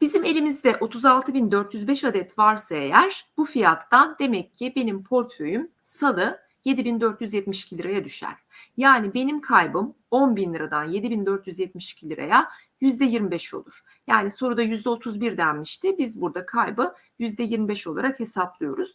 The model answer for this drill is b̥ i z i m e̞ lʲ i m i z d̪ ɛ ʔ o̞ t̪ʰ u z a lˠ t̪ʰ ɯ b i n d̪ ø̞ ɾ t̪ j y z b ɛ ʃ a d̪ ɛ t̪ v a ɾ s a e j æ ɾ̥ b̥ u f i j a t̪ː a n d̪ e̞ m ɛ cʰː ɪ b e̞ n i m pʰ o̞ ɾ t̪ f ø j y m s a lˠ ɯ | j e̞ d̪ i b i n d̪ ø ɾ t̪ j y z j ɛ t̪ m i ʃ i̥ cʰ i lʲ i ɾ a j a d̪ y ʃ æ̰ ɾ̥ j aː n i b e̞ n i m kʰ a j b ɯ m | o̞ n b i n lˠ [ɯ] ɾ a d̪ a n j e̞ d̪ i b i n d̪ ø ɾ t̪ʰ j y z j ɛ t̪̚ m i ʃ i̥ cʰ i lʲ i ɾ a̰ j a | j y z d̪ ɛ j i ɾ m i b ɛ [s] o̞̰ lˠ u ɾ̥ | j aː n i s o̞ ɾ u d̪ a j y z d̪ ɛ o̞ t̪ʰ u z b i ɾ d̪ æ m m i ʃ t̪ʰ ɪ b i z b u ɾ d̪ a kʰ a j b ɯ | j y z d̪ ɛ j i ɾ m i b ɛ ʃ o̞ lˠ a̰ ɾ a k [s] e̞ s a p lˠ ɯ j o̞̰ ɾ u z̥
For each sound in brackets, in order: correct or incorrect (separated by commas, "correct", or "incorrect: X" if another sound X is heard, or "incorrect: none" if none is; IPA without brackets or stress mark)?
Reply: correct, incorrect: ʃ, incorrect: h